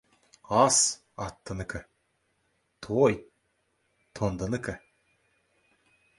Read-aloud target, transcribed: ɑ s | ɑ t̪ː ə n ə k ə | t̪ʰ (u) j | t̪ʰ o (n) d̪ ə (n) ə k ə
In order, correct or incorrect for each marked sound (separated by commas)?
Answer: incorrect, correct, correct